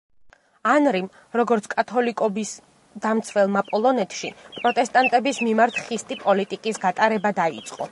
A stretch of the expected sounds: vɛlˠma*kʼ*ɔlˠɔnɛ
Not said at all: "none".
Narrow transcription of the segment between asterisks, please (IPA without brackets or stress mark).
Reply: pʼ